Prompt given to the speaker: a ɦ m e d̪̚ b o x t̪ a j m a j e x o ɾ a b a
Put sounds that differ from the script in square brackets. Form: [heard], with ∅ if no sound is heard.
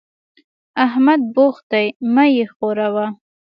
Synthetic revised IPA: a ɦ m [a] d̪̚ b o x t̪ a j m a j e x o ɾ a [w] a